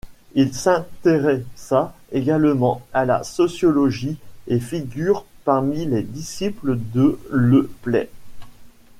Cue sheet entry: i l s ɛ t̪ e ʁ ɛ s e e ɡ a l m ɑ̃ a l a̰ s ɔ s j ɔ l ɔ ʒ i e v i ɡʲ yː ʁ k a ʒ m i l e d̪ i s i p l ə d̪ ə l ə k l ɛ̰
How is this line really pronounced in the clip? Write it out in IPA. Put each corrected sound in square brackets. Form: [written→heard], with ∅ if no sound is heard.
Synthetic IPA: i l s [ɛ→ɛ̃] t̪ e ʁ ɛ s [e→a] e ɡ a l m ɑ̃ a l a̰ s ɔ s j ɔ l ɔ ʒ i e [v→f] i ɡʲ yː ʁ [k→p] a [ʒ→ʁ] m i l e d̪ i s i p l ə d̪ ə l ə [k→p] l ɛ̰